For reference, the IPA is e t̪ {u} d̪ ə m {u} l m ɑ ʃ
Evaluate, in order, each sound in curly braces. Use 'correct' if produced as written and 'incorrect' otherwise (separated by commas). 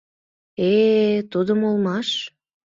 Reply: correct, incorrect